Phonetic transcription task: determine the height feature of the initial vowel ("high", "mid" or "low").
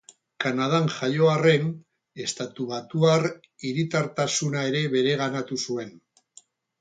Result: low